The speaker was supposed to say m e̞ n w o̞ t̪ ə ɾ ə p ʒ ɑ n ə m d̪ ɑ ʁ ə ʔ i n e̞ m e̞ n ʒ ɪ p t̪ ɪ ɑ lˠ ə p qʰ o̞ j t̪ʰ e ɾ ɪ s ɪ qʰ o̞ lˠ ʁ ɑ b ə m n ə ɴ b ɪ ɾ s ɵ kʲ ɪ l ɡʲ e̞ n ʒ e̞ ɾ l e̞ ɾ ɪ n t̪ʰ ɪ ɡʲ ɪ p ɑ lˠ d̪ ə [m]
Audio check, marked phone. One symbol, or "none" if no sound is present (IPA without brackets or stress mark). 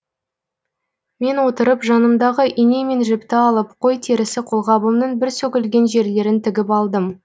m